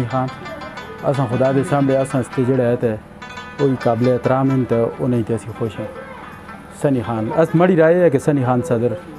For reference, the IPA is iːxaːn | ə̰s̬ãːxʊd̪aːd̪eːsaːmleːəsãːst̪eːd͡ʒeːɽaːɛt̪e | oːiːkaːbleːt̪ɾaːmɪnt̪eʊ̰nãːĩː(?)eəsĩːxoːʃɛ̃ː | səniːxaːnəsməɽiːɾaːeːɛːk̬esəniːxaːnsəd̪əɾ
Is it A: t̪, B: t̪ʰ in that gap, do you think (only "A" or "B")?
A